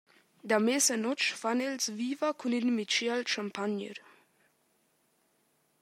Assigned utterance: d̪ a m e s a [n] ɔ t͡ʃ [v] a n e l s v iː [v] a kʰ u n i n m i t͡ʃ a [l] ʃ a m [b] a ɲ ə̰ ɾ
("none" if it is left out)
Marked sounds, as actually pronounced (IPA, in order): n, f, v, l, p

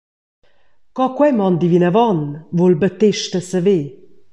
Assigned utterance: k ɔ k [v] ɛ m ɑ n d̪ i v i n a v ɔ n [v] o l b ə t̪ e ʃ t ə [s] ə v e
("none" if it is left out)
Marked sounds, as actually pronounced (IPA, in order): w, v, s

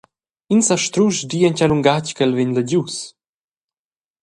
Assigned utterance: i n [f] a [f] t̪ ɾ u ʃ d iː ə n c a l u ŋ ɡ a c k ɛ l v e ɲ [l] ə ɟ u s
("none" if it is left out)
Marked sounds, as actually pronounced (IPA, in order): s, ʃ, l

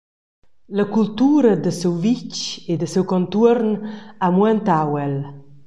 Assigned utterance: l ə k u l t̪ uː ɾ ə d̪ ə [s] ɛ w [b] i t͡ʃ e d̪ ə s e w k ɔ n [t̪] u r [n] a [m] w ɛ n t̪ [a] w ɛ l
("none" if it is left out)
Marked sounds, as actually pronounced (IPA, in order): s, v, t̪, n, m, a

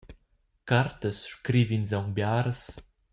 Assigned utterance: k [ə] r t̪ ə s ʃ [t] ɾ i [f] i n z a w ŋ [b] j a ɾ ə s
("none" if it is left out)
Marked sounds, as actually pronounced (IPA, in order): a, k, v, b

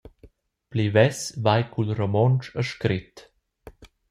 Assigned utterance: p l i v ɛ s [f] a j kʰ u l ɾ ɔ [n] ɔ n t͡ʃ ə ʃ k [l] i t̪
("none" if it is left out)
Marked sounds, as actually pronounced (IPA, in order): v, m, ɾ

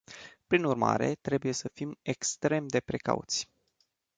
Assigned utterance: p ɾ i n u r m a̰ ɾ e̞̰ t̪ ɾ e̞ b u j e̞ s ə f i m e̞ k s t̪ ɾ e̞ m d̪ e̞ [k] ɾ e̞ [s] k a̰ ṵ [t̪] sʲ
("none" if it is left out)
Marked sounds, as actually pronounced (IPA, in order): p, none, t̪

